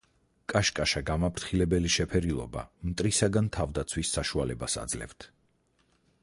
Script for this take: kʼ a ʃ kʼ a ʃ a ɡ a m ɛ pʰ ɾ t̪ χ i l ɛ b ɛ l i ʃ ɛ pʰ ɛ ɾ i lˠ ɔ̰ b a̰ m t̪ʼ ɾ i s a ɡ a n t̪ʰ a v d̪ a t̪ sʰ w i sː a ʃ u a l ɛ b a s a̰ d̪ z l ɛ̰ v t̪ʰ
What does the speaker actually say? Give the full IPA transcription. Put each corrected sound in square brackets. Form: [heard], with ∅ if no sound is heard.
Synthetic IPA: kʼ a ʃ kʼ a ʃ a ɡ a m [a] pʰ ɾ t̪ χ i l ɛ b ɛ l i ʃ ɛ pʰ ɛ ɾ i lˠ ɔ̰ b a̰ m t̪ʼ ɾ i s a ɡ a n t̪ʰ a v d̪ a t̪ sʰ w i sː a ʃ u a l ɛ b a s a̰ d̪ z l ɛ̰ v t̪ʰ